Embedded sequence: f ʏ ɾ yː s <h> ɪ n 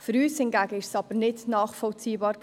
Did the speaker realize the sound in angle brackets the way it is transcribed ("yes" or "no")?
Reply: yes